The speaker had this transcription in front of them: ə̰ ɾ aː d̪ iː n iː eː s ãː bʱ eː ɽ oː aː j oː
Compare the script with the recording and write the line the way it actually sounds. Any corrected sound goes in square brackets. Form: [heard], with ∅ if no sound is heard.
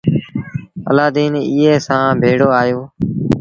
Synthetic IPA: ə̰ [l] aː d̪ iː n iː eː s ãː bʱ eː ɽ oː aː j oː